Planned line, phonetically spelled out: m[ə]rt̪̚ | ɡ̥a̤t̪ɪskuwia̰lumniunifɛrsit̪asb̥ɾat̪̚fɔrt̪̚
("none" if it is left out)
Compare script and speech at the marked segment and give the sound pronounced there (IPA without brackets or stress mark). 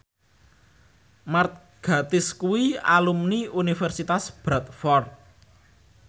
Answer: a